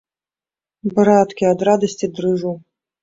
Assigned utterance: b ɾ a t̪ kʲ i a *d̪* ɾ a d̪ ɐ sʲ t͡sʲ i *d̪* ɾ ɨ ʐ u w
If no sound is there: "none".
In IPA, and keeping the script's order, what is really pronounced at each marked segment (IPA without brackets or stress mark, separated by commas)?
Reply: d̪, d̪